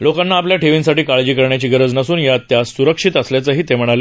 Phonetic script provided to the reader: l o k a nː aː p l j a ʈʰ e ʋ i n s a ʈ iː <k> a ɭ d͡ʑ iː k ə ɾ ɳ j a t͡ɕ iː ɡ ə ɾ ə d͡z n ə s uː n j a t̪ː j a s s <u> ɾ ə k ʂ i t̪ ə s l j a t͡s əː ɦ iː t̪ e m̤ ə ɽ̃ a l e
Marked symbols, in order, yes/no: yes, yes

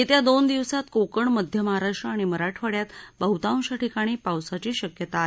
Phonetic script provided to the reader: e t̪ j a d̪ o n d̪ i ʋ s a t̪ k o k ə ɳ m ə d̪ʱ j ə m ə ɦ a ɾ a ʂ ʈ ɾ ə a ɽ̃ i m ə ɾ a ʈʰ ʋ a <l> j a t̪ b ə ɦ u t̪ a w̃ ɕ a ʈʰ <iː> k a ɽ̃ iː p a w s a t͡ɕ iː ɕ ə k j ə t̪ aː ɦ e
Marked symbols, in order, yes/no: no, no

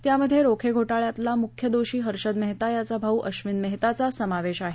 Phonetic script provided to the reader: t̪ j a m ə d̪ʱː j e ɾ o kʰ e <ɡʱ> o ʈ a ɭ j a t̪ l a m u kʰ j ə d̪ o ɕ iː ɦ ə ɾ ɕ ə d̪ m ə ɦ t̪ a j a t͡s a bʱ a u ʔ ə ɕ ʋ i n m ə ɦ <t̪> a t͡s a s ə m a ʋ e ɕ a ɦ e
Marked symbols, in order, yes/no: yes, yes

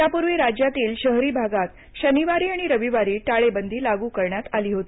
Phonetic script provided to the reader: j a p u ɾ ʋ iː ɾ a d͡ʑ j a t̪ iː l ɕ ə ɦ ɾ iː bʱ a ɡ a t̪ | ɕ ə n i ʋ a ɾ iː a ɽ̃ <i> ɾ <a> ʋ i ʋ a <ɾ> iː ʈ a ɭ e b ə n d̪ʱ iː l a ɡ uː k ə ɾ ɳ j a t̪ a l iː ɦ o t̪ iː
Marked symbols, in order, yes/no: yes, no, yes

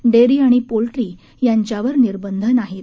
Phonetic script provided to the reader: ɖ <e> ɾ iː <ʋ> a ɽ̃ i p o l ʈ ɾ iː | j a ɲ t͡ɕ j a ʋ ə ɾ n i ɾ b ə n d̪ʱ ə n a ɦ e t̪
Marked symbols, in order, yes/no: yes, no

